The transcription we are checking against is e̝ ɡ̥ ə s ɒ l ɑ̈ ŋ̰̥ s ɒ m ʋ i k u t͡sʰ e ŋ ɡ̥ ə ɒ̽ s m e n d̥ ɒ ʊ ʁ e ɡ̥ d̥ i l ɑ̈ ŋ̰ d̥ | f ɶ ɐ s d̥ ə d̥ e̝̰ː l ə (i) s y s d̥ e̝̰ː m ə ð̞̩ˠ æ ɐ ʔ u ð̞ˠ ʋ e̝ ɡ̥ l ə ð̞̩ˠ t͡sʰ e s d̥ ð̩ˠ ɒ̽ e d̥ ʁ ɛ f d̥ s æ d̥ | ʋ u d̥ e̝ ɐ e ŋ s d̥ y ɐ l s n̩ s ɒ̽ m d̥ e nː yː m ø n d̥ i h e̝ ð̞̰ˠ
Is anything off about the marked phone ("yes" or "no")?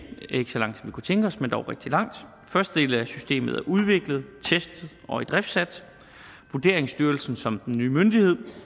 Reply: yes